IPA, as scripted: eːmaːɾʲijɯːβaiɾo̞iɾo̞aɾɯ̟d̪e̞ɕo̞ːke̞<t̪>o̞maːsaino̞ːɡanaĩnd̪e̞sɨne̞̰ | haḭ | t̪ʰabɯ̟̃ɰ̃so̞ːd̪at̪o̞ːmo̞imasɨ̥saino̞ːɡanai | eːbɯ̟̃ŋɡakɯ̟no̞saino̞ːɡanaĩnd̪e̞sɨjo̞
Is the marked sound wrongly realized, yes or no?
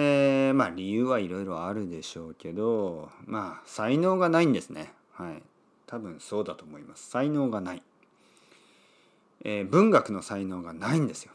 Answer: yes